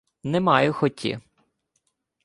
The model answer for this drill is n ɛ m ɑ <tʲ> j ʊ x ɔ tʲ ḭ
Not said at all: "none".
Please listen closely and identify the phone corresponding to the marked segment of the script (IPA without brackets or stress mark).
none